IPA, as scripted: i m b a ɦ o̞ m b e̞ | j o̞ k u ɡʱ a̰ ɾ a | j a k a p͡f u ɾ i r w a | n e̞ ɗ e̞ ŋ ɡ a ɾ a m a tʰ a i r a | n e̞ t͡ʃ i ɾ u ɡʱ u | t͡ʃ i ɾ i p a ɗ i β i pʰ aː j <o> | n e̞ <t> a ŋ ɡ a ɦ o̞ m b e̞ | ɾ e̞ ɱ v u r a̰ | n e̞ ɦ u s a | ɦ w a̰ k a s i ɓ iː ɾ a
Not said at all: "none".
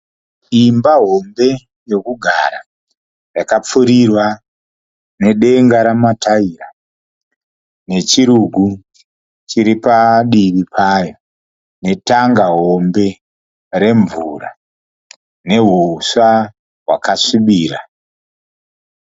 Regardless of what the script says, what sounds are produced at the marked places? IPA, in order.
o, t

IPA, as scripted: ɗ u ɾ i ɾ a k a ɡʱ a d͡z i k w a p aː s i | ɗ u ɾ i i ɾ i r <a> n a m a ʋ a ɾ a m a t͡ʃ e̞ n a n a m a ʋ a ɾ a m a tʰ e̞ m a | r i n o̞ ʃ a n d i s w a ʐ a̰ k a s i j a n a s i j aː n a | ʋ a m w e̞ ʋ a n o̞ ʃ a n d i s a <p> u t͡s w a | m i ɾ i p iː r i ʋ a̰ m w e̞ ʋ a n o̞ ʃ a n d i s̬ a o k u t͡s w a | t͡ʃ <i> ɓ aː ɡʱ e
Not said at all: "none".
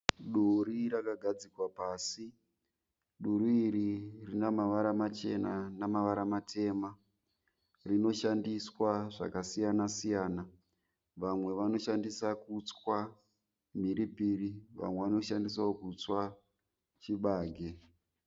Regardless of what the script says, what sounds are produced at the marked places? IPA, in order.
i, k, i

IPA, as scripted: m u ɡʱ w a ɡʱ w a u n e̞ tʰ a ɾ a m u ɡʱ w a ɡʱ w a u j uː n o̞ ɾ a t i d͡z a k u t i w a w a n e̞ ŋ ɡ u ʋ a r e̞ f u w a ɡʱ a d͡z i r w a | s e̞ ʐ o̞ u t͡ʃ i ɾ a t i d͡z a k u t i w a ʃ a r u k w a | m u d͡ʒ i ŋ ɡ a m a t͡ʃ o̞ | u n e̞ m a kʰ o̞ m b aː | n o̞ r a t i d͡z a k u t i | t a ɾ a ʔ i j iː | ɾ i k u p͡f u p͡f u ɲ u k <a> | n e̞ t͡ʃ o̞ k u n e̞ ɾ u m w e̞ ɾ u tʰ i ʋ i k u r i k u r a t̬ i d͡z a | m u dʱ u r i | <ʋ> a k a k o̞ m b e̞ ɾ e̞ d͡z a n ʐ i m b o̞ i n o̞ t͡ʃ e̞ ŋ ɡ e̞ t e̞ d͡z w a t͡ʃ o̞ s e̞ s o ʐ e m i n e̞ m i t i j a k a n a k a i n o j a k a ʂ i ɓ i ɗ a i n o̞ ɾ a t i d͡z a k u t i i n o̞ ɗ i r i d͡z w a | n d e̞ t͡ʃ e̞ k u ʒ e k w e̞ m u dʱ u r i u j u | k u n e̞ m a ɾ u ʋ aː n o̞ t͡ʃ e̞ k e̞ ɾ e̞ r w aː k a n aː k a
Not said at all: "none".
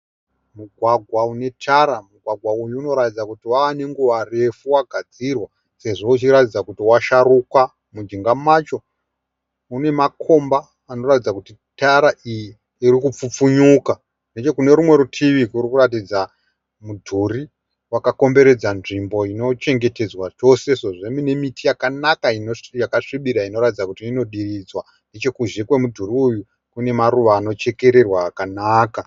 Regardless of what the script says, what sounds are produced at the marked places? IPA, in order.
a, w

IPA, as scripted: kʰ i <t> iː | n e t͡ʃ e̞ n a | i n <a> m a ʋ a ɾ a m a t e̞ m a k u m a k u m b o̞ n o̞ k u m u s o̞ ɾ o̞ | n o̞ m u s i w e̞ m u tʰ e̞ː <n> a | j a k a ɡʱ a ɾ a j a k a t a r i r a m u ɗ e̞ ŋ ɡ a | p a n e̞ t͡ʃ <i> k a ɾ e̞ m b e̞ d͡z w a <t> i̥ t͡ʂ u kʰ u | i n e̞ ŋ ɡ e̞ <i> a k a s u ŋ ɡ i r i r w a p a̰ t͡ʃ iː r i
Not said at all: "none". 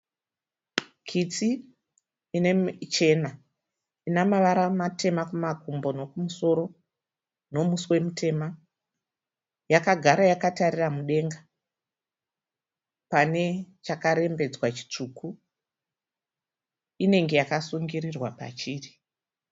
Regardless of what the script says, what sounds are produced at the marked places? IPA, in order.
t͡s, a, m, a, t͡ʃ, j

